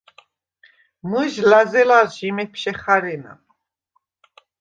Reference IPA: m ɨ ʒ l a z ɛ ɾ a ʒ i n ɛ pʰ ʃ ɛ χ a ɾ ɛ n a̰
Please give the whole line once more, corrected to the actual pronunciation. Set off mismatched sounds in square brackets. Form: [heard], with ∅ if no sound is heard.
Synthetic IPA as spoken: m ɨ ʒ l a z ɛ [l] a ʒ i [m] ɛ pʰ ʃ ɛ χ a ɾ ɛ n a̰